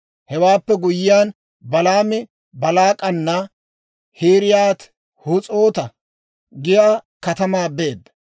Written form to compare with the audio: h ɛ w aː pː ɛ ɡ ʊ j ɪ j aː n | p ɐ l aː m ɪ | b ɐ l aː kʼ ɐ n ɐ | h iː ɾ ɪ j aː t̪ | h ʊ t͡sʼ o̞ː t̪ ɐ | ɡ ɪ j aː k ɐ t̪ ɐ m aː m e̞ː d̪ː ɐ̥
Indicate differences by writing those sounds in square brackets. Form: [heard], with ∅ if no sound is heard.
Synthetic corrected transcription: h ɛ w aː pː ɛ ɡ ʊ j ɪ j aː n | [b] ɐ l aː m ɪ | b ɐ l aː kʼ ɐ [nː] ɐ | h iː ɾ ɪ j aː t̪ | h ʊ t͡sʼ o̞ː t̪ ɐ | ɡ ɪ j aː k ɐ t̪ ɐ m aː [b] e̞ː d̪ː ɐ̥